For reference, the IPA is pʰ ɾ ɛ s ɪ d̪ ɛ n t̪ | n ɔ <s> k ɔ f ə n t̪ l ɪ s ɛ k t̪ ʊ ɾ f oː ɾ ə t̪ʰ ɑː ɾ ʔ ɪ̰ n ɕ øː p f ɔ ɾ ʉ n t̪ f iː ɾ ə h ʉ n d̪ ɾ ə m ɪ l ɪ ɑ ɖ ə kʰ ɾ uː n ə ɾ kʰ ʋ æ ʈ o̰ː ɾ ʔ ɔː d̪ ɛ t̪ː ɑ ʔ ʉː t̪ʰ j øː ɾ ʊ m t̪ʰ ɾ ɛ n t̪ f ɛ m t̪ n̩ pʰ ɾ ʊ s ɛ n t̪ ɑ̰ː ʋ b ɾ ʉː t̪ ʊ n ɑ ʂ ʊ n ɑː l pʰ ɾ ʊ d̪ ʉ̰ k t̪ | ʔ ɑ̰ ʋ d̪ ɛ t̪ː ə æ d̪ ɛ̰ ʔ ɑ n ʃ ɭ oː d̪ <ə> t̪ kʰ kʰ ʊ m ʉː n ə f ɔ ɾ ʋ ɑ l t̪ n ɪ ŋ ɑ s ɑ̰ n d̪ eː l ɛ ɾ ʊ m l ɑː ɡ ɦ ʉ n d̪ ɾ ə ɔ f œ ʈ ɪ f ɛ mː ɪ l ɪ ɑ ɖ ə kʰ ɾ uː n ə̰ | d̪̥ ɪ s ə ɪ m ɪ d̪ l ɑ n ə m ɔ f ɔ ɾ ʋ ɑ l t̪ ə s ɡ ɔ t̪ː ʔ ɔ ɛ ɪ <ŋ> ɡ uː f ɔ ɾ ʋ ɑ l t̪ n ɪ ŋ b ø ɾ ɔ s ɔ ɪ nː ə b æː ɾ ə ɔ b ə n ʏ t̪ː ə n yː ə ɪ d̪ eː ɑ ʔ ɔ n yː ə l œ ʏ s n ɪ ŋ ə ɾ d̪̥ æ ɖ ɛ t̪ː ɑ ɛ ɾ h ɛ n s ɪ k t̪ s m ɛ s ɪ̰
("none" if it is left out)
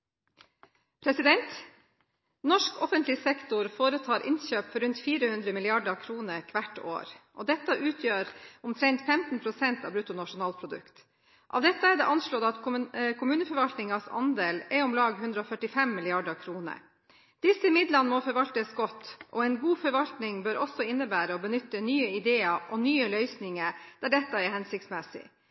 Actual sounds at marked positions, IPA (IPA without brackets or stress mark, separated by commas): ʂ, ɑ, n